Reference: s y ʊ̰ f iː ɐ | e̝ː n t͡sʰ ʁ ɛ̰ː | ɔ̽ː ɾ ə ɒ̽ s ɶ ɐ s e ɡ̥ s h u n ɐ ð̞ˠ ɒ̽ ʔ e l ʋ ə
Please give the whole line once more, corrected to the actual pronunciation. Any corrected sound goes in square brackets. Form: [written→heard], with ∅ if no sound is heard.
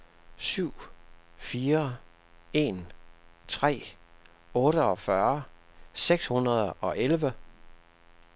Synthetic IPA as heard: s y ʊ̰ f iː ɐ | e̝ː n t͡sʰ ʁ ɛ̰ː | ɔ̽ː ɾ ə ɒ̽ [s→f] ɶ ɐ s e ɡ̥ s h u n ɐ ð̞ˠ ɒ̽ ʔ e l ʋ ə